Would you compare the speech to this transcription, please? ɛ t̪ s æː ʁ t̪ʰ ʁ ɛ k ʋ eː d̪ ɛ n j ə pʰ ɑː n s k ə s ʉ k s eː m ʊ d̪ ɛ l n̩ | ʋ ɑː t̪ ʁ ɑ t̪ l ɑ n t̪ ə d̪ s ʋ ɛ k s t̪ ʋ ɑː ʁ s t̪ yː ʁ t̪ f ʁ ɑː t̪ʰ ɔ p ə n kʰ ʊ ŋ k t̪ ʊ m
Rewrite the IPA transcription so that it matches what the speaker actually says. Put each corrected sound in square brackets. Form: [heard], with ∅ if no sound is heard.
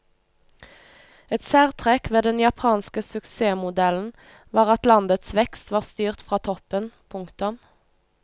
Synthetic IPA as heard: ɛ t̪ s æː ʁ t̪ʰ ʁ ɛ k ʋ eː d̪ ɛ n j [ɑ] pʰ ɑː n s k ə s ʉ k s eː m ʊ d̪ ɛ l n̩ | ʋ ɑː [∅] ʁ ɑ t̪ l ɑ n [d̪] ə [t̪] s ʋ ɛ k s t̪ ʋ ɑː ʁ s t̪ yː ʁ t̪ f ʁ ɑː t̪ʰ ɔ p ə n [pʰ] ʊ ŋ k t̪ ʊ m